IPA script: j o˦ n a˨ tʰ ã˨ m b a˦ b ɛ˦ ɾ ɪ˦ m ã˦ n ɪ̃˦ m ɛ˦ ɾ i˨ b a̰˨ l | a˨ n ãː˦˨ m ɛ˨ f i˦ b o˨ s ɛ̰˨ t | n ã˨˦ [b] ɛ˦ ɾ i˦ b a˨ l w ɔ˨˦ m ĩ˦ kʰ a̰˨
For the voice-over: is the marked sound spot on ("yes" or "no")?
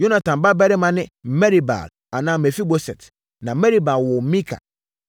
no